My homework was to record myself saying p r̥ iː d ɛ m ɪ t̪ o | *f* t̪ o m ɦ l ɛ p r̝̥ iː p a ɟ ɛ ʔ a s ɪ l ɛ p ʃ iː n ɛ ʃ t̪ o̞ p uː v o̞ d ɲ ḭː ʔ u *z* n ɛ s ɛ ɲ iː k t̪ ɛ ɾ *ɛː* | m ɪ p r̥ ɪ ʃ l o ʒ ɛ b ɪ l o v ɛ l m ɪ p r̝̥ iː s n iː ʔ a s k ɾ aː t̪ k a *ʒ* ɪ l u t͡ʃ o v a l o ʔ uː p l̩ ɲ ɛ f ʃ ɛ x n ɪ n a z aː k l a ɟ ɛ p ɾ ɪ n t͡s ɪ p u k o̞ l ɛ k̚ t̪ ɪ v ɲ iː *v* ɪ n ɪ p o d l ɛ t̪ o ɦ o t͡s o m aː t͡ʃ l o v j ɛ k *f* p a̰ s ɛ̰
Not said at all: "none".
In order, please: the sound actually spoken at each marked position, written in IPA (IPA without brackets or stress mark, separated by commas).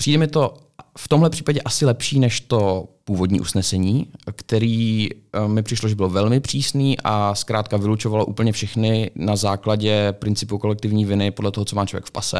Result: f, s, iː, v, v, f